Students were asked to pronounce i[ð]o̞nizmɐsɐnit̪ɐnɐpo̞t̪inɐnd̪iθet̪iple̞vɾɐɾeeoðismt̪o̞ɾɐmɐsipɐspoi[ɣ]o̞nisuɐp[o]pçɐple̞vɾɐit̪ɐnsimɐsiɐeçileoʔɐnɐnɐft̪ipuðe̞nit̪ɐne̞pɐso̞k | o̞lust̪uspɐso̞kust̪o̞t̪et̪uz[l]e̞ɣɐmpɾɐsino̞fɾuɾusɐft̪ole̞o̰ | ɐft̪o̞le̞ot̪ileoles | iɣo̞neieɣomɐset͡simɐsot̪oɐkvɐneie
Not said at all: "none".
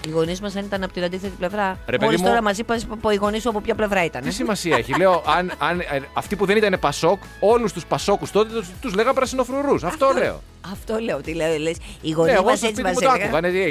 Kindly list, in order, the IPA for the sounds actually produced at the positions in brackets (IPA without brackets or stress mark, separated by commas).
ɣ, ɣ, o, l